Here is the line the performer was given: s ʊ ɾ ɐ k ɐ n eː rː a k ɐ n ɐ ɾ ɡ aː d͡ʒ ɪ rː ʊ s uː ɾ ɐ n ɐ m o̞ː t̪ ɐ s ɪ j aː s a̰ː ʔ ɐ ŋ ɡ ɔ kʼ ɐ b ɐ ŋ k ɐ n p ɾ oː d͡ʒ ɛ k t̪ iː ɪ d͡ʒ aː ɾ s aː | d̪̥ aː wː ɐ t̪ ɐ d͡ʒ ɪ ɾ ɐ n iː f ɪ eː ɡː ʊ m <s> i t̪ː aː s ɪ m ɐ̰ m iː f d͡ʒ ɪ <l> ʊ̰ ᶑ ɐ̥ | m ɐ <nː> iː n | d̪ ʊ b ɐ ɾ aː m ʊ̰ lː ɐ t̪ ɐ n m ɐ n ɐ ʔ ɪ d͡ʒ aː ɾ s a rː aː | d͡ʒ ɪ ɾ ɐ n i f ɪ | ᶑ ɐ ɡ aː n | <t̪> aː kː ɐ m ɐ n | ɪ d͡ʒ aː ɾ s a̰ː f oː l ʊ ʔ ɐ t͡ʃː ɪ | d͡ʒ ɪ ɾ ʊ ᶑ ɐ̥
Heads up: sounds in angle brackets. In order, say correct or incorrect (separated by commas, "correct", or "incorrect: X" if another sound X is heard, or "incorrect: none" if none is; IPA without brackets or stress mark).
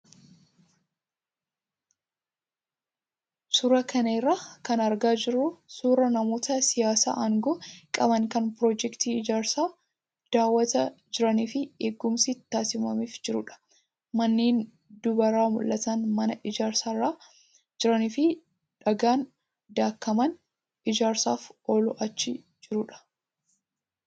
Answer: correct, incorrect: ɾ, correct, incorrect: d̪